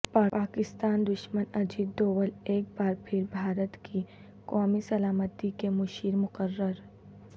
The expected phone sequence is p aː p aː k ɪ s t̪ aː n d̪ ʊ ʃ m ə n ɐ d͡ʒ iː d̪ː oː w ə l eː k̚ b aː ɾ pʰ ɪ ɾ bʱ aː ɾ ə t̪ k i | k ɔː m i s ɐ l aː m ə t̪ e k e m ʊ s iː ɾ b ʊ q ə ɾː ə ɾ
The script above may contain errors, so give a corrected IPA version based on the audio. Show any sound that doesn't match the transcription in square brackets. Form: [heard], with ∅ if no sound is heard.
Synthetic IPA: p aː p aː k ɪ s t̪ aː n d̪ ʊ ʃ m ə n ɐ d͡ʒ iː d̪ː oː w ə l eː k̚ b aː ɾ pʰ ɪ ɾ bʱ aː ɾ ə t̪ k i | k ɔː m i s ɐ l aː m ə t̪ [i] k e m ʊ [ʃ] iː ɾ [m] ʊ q ə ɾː ə ɾ